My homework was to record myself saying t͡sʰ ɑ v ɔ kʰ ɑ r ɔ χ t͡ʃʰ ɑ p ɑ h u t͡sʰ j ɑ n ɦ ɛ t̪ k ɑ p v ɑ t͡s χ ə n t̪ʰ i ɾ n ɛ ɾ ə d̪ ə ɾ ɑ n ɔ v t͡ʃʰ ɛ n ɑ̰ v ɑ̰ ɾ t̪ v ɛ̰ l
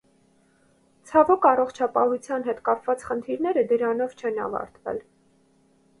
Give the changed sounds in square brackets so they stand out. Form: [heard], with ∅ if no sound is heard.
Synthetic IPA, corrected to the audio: t͡sʰ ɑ v ɔ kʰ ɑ r ɔ χ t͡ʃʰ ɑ p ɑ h u t͡sʰ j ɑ n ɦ ɛ t̪ k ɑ p v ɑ t͡s χ ə n t̪ʰ i ɾ n ɛ ɾ ə d̪ ə ɾ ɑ n ɔ v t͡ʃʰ ɛ n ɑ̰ v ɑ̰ ɾ t̪ v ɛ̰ l